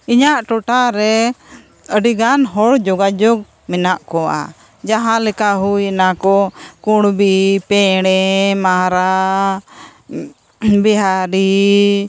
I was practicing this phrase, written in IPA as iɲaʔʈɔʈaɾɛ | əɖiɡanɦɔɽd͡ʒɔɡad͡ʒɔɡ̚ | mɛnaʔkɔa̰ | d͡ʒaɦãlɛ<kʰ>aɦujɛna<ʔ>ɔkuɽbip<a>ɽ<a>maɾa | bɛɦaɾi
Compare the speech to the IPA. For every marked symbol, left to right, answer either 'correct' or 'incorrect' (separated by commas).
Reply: incorrect, incorrect, incorrect, incorrect